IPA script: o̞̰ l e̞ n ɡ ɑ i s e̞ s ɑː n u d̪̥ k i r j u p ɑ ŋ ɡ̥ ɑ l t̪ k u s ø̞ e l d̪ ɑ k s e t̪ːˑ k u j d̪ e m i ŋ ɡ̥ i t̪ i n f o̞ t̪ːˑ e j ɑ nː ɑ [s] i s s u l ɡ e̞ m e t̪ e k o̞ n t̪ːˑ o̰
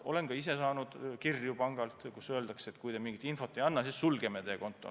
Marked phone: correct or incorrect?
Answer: correct